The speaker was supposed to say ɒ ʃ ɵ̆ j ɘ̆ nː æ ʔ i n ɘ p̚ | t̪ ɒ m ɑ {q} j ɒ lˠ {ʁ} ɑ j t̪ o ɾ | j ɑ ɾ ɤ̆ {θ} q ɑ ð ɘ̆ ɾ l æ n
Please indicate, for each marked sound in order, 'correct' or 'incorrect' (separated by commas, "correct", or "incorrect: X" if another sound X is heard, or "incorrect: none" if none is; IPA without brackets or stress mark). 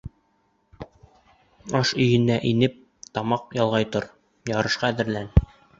correct, correct, incorrect: ʃ